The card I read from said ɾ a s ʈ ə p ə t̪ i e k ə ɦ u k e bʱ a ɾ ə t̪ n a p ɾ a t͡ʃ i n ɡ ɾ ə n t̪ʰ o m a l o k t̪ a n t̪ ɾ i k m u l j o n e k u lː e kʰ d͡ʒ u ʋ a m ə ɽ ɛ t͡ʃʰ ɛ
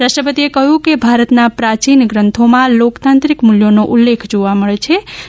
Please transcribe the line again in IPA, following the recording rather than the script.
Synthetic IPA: ɾ a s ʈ ə p ə t̪ i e k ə ɦ u k e bʱ a ɾ ə t̪ n a p ɾ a t͡ʃ i n ɡ ɾ ə n t̪ʰ o m a l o k t̪ a n t̪ ɾ i k m u l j o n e ʔ u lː e kʰ d͡ʒ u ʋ a m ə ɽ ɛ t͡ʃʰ ɛ